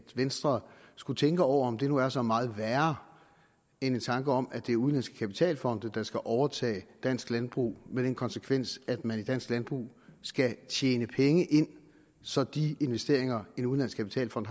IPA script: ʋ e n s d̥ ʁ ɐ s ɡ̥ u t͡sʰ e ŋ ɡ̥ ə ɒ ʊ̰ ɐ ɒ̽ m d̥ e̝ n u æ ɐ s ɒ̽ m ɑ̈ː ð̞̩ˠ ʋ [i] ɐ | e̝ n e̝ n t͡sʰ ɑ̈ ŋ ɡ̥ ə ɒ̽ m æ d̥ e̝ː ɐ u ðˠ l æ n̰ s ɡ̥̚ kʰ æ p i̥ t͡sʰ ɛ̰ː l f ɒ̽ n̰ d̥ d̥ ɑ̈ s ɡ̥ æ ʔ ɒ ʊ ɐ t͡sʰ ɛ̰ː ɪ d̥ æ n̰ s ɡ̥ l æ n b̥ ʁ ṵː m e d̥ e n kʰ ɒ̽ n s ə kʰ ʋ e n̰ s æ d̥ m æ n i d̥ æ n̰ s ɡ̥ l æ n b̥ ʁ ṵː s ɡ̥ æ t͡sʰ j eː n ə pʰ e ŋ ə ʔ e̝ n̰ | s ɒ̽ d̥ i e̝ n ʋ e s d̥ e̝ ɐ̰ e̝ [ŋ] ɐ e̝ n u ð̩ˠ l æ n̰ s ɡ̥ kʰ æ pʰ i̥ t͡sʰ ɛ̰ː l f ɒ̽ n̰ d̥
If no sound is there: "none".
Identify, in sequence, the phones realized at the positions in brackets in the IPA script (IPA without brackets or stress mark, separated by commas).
æ, ŋ